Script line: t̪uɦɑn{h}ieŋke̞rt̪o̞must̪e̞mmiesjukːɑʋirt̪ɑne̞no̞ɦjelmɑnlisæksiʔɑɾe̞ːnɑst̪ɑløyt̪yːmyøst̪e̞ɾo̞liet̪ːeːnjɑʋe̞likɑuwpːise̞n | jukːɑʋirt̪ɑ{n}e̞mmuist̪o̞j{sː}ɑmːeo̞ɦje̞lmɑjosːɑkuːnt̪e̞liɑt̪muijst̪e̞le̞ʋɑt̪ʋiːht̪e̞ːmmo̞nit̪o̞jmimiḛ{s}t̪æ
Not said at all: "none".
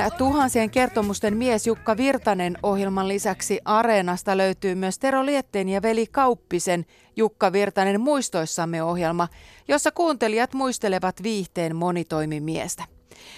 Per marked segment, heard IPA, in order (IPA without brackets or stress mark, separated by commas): s, n, sː, s